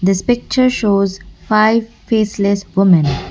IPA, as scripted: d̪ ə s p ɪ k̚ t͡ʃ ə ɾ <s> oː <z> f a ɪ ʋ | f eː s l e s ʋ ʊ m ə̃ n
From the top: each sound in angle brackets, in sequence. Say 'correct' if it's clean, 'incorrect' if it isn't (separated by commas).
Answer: incorrect, correct